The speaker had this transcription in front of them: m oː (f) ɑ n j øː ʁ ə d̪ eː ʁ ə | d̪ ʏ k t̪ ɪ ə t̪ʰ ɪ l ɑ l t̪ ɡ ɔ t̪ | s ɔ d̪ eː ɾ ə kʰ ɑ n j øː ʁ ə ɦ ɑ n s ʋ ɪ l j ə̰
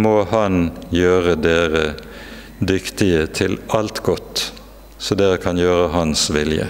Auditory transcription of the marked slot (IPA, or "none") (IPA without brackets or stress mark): h